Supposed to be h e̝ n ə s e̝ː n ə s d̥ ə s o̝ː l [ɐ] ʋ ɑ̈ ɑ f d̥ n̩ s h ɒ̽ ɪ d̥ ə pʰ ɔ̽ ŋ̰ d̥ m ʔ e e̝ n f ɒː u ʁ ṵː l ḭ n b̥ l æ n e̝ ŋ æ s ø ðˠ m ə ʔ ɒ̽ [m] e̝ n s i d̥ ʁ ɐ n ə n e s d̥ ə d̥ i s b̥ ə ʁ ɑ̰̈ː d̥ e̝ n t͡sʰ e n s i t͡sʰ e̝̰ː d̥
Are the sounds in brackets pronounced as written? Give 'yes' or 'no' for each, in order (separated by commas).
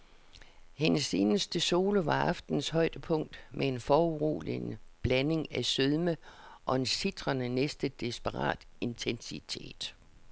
no, no